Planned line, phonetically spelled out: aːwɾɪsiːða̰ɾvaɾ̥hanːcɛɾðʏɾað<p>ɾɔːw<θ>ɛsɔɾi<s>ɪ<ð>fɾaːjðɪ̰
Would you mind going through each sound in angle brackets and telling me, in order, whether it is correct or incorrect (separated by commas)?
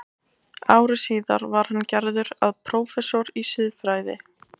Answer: incorrect, incorrect, correct, correct